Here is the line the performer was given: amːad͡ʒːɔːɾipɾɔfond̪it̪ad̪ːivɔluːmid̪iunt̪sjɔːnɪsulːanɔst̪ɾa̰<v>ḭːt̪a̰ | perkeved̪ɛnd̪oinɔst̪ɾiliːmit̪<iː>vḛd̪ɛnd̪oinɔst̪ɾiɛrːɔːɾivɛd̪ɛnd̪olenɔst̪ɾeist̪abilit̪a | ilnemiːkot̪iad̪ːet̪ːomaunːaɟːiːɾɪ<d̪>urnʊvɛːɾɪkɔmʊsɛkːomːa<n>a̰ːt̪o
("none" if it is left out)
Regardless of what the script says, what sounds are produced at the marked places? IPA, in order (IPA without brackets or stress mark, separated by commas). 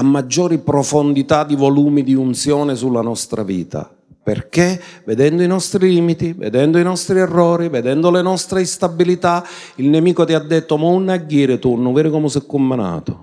v, i, t̪, n